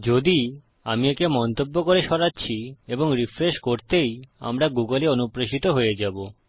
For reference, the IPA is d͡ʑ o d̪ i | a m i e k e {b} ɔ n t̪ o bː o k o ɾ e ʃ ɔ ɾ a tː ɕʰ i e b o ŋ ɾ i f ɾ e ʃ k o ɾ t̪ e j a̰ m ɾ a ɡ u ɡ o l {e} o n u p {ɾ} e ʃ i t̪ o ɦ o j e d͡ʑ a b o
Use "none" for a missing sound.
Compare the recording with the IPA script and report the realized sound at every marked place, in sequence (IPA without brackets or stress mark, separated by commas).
m, e, ɾ